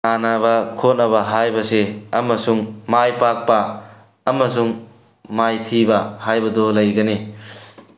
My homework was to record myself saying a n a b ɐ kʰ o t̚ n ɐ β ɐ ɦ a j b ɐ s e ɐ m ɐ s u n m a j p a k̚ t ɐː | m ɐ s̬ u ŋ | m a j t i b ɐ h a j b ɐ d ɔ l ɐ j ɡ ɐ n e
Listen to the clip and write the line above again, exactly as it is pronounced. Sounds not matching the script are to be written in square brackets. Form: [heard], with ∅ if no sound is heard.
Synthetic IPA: a n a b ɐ kʰ o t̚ n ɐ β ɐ ɦ a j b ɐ s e ɐ m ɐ s u [ŋ] m a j p a k̚ [p] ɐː | m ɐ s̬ u ŋ | m a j [tʰ] i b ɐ h a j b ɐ d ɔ l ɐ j ɡ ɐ n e